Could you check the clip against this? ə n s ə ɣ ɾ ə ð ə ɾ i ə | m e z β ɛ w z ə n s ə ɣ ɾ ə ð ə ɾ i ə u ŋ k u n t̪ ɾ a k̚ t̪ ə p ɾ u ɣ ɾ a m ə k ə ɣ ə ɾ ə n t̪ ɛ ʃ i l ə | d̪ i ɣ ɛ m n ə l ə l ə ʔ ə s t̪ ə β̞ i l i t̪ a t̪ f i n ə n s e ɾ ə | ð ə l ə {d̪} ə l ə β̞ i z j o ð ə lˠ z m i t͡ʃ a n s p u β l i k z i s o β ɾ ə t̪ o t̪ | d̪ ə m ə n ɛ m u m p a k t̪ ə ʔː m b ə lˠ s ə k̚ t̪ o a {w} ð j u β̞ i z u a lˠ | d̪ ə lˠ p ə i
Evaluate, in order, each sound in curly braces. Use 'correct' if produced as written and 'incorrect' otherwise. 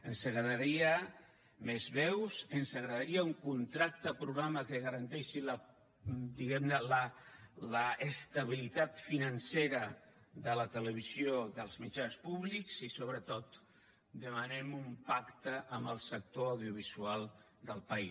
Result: incorrect, correct

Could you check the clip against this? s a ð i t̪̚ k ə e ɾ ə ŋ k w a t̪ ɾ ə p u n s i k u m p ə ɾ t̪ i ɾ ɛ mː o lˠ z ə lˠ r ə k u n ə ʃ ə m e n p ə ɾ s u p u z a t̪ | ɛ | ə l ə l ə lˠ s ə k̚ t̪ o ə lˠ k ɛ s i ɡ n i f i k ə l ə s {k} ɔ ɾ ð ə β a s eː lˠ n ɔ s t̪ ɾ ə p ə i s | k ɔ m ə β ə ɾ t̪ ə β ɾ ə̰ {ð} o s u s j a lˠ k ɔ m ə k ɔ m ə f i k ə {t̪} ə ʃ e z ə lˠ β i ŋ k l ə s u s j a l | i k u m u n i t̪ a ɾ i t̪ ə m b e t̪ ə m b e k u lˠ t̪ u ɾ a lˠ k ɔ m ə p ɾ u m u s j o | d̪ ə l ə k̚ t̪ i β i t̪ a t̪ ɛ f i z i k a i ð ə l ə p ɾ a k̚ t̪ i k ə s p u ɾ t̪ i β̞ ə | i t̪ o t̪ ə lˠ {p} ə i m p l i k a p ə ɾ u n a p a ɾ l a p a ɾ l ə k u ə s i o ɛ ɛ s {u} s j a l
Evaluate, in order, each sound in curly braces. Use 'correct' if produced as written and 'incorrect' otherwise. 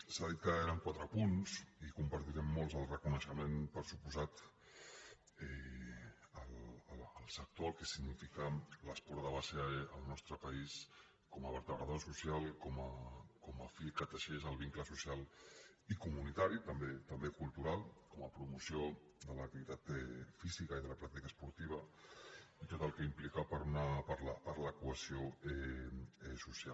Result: incorrect, correct, correct, incorrect, correct

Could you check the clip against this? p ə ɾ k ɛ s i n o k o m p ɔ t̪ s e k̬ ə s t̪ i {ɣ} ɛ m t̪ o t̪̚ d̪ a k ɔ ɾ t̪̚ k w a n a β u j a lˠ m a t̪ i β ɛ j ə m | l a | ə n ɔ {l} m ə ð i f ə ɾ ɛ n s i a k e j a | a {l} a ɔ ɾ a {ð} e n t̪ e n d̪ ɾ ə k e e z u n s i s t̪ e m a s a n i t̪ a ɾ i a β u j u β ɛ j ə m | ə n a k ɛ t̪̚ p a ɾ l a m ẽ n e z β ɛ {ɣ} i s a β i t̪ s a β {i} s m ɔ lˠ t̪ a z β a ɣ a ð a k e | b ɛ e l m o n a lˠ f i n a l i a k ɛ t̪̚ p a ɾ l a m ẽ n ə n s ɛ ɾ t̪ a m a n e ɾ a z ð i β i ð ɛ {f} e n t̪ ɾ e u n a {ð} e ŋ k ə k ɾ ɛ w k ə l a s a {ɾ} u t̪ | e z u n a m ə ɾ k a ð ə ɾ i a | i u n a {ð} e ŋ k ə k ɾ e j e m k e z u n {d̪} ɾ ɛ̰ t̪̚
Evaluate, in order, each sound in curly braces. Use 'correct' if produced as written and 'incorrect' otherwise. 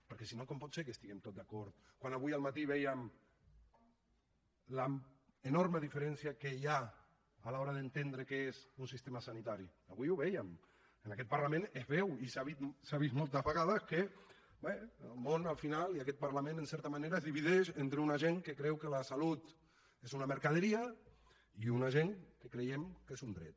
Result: correct, incorrect, correct, correct, incorrect, correct, incorrect, incorrect, incorrect, incorrect, correct

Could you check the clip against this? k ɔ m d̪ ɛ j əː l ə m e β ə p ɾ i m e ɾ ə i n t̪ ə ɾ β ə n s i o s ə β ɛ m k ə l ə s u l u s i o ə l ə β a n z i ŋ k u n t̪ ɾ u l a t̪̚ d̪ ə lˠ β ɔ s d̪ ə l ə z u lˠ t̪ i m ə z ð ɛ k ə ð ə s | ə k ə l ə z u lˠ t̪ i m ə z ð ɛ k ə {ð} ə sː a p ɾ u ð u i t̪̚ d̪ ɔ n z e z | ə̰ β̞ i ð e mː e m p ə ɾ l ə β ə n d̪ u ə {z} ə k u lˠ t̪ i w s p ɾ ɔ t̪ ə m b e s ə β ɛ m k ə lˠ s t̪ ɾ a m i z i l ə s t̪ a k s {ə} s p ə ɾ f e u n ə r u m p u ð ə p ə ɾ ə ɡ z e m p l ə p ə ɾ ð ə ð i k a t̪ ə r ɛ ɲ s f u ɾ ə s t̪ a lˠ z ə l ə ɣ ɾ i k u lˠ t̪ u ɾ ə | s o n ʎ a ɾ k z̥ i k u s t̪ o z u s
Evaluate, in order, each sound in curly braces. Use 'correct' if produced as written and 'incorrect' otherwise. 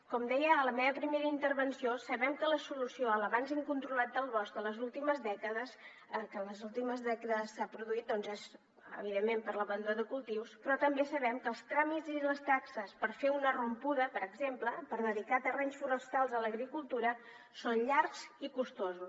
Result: correct, incorrect, correct

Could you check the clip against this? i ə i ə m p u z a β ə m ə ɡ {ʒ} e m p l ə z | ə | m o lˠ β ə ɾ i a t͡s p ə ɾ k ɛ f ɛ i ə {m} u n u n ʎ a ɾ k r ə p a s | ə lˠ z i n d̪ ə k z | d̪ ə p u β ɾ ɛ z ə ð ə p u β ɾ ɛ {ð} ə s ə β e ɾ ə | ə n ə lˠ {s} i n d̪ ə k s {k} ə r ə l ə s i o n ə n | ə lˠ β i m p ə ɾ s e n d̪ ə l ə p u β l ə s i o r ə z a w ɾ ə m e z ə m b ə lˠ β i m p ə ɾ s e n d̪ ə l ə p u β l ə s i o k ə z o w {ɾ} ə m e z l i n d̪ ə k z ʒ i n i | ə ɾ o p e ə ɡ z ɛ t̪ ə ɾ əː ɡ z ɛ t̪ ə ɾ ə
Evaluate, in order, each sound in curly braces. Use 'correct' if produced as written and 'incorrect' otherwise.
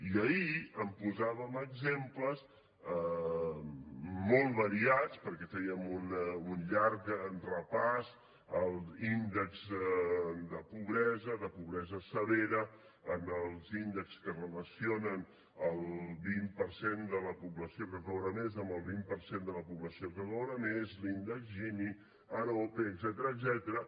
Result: incorrect, correct, incorrect, incorrect, correct, correct

